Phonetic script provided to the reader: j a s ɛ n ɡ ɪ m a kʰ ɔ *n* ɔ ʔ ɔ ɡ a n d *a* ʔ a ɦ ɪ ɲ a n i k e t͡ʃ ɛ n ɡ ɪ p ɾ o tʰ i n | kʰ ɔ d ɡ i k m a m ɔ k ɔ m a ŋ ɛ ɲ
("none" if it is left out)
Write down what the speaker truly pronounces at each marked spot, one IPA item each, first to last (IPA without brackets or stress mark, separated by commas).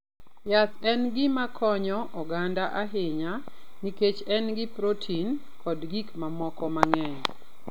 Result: ɲ, a